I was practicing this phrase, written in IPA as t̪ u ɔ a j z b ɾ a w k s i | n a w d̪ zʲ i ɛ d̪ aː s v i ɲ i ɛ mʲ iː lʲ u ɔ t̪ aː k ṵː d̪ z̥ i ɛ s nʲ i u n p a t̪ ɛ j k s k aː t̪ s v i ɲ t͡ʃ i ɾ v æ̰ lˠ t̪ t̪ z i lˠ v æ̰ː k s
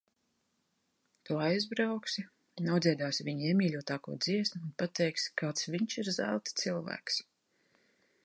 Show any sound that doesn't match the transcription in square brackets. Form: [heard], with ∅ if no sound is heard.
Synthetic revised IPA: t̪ u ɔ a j z b ɾ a w k s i | n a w d̪ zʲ i ɛ d̪ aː s v i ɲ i ɛ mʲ iː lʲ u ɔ t̪ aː k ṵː d̪ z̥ i ɛ s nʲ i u n p a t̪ ɛ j k s k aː t̪ s v i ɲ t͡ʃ i ɾ [z] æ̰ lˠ t̪ t̪ [s] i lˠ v æ̰ː k s